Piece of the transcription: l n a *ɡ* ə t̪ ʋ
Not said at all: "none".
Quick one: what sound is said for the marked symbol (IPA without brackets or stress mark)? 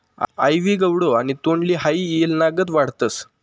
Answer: ɡ